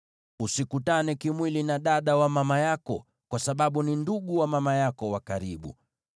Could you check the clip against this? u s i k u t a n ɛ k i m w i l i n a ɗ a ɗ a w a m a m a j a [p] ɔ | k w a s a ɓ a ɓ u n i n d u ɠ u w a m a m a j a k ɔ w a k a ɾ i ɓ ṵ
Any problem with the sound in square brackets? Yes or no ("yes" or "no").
yes